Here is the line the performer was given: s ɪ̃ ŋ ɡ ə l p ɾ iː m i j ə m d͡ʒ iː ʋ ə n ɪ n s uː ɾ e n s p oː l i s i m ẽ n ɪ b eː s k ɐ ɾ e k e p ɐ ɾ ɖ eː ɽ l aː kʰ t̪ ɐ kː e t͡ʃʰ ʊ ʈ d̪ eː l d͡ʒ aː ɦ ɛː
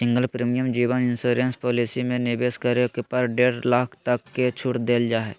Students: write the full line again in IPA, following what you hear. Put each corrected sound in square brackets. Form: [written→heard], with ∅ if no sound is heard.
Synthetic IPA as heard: s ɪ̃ ŋ ɡ ə l p ɾ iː m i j ə m d͡ʒ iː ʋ ə n ɪ n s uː ɾ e n s p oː l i s i m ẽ n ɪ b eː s k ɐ ɾ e k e p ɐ ɾ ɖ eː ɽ l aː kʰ t̪ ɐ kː e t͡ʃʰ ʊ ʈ d̪ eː l d͡ʒ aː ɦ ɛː